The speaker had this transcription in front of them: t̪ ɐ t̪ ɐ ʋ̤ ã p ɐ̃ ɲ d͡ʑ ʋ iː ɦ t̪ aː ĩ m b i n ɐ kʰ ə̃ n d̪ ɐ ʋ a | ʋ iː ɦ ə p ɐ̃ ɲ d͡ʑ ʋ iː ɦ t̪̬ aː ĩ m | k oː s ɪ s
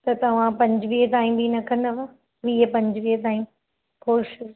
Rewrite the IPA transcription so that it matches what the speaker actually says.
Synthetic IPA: t̪ ɐ t̪ ɐ ʋ̤ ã p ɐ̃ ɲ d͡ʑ ʋ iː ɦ t̪ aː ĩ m b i n ɐ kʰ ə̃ n d̪ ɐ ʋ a | ʋ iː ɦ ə p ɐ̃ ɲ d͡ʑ ʋ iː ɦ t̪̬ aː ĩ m | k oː ʃ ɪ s

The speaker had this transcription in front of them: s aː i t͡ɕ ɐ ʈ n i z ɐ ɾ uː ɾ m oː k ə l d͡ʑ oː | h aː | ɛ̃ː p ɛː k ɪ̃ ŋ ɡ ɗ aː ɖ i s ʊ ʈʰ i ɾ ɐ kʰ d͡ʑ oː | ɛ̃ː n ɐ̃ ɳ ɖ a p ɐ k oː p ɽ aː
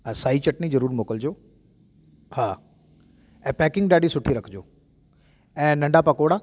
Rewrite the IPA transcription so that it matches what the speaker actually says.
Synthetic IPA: s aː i t͡ɕ ɐ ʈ n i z ɐ ɾ uː ɾ m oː k ə l d͡ʑ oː | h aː | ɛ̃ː p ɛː k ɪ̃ ŋ ɡ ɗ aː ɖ i s ʊ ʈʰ i ɾ ɐ kʰ d͡ʑ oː | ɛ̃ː n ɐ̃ ɳ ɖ a p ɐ k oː ɽ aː

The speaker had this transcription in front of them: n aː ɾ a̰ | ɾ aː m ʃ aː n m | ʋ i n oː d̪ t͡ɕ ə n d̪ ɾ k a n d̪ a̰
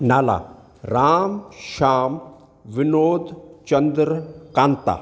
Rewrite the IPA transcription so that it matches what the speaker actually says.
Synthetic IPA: n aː l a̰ | ɾ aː m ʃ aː m | ʋ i n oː d̪ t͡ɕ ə n d̪ ɾ k a n t̪ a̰

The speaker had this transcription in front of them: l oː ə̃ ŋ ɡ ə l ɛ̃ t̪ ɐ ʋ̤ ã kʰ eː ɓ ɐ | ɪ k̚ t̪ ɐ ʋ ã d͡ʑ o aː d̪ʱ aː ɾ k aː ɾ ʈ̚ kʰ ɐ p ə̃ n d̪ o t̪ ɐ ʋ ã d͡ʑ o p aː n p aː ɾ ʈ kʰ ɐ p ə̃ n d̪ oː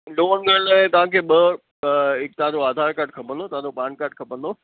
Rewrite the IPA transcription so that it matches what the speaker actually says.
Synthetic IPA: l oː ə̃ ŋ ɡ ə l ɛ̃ t̪ ɐ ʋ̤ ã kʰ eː ɓ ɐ | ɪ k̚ t̪ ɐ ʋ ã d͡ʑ o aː d̪ʱ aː ɾ k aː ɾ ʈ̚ kʰ ɐ p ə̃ n d̪ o t̪ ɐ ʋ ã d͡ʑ o p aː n k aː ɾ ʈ kʰ ɐ p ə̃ n d̪ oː

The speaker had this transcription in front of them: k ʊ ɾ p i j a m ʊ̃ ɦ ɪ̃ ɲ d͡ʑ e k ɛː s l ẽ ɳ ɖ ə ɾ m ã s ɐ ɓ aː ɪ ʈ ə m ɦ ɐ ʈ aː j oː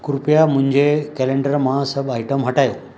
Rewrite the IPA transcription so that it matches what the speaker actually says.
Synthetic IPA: k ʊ ɾ p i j a m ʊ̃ ɦ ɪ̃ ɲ d͡ʑ e k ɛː l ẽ ɳ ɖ ə ɾ m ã s ɐ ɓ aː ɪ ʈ ə m ɦ ɐ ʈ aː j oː

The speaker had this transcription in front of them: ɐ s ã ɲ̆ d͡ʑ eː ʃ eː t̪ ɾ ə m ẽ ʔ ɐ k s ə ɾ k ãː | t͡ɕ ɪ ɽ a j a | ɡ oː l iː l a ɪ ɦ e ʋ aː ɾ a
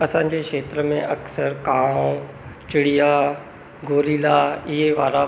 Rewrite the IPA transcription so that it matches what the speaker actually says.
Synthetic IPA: ɐ s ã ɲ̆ d͡ʑ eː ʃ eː t̪ ɾ ə m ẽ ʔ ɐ k s ə ɾ k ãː | t͡ɕ ɪ ɽ i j a | ɡ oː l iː l a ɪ ɦ e ʋ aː ɾ a

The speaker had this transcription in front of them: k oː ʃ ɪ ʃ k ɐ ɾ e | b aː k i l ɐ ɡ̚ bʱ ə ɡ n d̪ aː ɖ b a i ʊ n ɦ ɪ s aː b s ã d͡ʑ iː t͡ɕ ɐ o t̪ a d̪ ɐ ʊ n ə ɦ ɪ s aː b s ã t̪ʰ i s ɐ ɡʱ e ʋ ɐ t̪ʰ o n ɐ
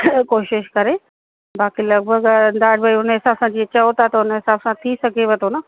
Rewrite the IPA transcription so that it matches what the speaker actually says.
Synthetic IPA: k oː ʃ ɪ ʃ k ɐ ɾ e | b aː k i l ɐ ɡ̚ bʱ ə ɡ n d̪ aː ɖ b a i ʊ n ɦ ɪ s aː b s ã d͡ʑ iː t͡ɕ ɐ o t̪ a t̪ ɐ ʊ n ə ɦ ɪ s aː b s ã t̪ʰ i s ɐ ɡʱ e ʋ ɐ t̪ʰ o n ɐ

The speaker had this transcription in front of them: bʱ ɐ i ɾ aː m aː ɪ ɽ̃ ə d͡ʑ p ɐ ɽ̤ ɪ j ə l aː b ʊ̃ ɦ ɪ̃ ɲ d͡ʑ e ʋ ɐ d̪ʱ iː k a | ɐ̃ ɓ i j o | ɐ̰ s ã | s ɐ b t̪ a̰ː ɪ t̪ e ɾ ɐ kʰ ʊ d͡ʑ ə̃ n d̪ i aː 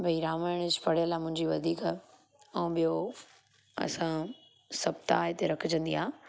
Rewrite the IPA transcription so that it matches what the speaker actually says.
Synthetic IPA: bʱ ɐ i ɾ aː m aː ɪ ɽ̃ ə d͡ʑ p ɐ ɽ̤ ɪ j ə l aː m ʊ̃ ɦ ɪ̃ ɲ d͡ʑ i ʋ ɐ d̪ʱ iː k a | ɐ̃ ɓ i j o | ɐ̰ s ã | s ɐ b t̪ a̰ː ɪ t̪ e ɾ ɐ kʰ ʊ d͡ʑ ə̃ n d̪ i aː

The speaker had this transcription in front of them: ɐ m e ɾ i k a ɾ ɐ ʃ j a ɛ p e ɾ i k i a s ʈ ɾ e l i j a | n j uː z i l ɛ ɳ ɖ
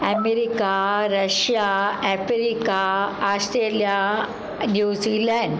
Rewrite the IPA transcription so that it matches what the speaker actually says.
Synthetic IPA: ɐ m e ɾ i k a ɾ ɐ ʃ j a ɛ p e ɾ i k a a s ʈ ɾ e l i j a | n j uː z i l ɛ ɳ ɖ

